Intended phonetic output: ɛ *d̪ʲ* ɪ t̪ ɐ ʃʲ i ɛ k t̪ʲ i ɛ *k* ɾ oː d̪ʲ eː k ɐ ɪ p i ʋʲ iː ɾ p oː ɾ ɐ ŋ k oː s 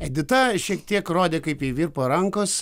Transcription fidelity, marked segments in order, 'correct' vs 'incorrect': correct, correct

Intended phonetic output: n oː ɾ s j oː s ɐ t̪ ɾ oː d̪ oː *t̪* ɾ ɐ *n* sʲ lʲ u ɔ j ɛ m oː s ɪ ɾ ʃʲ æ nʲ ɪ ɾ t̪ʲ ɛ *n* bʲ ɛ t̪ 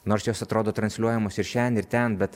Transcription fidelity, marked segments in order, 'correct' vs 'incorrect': correct, correct, correct

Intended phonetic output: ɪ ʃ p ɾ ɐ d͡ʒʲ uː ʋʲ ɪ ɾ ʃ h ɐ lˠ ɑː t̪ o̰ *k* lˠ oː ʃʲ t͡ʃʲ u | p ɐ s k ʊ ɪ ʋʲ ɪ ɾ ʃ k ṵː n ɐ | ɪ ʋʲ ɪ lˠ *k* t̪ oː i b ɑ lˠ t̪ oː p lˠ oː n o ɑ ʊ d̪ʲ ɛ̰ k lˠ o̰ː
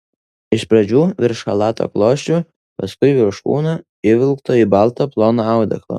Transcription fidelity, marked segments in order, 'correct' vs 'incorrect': correct, correct

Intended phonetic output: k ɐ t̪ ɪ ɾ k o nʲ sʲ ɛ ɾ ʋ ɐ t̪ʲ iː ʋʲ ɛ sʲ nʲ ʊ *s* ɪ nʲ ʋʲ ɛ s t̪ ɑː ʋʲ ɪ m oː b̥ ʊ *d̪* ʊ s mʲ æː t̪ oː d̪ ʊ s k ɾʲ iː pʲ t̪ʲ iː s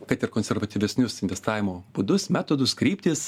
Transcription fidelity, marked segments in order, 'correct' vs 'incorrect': correct, correct

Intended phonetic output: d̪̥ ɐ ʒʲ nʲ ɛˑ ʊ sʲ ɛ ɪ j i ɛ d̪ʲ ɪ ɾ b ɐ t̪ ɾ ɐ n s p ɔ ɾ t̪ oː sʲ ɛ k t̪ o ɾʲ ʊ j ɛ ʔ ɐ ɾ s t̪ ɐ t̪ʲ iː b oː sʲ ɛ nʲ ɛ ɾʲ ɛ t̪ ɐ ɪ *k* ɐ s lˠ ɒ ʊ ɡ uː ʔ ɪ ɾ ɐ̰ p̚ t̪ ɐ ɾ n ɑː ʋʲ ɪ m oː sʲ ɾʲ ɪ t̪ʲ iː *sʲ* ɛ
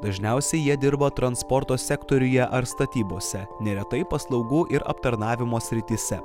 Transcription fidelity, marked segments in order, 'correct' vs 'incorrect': incorrect: p, correct

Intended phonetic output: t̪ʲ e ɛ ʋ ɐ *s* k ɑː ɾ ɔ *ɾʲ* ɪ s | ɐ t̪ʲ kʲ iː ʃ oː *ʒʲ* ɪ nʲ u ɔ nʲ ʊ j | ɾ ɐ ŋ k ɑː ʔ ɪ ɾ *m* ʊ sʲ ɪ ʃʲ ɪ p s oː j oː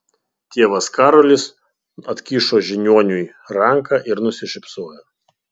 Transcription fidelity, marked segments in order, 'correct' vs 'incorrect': correct, incorrect: lʲ, correct, incorrect: n

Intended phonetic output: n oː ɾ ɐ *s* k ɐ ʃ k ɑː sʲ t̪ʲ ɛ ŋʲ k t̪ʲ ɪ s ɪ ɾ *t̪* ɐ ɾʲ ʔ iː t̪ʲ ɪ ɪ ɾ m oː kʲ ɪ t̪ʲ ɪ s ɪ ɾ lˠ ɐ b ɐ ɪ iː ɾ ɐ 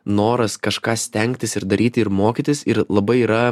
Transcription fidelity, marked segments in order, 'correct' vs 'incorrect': correct, incorrect: d̪

